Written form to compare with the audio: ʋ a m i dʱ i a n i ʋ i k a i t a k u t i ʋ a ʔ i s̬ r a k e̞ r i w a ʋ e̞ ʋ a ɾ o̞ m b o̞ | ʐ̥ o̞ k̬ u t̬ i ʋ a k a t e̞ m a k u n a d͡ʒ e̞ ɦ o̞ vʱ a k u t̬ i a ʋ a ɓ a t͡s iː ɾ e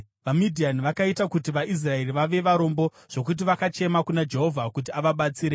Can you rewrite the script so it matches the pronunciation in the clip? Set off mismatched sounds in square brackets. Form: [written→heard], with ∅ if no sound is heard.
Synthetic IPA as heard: ʋ a m i dʱ i a n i ʋ [i→a] k a i t a k u t i ʋ a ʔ i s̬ r a [k→∅] e̞ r i [w→ʋ] a ʋ e̞ ʋ a ɾ o̞ m b o̞ | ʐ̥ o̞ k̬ u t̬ i ʋ a k a [t→t͡ʃ] e̞ m a k u n a d͡ʒ e̞ ɦ o̞ vʱ a k u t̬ i a ʋ a ɓ a t͡s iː ɾ e